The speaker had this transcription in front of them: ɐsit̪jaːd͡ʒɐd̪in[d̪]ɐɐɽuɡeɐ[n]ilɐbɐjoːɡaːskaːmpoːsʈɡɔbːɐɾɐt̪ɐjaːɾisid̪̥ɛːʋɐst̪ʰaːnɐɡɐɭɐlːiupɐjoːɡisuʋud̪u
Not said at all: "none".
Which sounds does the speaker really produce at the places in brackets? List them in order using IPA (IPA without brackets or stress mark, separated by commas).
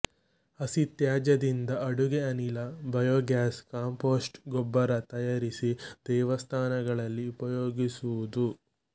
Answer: d̪, n